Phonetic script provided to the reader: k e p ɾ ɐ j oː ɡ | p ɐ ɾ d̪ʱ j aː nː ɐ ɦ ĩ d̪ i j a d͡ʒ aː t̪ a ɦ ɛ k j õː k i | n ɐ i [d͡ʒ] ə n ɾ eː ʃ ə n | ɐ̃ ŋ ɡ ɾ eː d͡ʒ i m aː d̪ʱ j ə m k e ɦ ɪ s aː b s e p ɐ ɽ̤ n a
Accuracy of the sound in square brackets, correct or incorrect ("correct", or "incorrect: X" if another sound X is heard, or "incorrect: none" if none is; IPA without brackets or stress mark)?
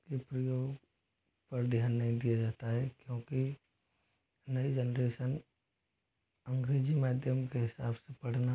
correct